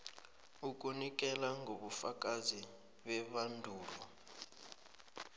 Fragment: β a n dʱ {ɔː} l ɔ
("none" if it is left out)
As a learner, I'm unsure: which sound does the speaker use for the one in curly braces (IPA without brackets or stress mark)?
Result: uː